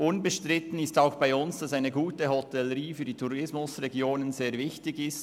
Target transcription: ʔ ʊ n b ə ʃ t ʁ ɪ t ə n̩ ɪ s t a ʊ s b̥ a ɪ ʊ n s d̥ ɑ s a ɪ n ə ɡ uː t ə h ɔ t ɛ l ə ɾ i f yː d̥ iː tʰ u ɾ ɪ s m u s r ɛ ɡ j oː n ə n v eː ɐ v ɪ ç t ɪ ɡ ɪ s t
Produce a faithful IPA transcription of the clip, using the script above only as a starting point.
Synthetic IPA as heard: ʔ ʊ n b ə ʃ t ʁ ɪ t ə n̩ ɪ s t a ʊ x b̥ a ɪ ʊ n s d̥ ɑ s a ɪ n ə ɡ uː t ə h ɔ t ɛ l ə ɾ iː f yː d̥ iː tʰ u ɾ ɪ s m ʊ s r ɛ ɡ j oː n ə n z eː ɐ v ɪ ç t ɪ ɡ ɪ s t